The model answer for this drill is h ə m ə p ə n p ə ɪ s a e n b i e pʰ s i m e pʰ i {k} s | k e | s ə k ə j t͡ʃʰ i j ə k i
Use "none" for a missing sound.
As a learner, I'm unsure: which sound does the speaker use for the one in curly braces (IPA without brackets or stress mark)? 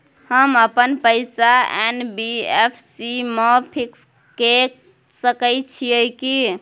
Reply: k